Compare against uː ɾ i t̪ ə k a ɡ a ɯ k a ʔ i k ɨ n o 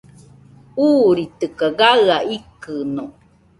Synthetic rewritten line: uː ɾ i t̪ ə k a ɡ a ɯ a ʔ i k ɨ n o